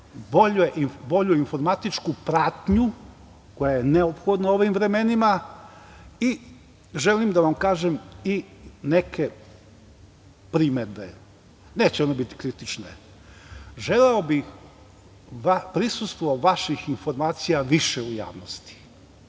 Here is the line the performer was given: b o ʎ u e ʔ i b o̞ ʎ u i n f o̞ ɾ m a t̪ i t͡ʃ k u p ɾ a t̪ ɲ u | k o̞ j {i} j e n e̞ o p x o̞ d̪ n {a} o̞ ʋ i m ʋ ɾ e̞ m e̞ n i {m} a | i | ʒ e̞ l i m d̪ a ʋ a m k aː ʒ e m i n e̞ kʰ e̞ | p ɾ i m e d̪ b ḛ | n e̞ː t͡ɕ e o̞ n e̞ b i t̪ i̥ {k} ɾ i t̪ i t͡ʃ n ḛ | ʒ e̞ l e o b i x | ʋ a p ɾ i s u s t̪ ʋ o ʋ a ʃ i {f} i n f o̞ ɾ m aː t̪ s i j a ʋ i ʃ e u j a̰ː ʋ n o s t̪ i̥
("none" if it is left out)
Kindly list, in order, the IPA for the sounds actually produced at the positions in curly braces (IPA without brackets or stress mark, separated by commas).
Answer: a, a, m, k, x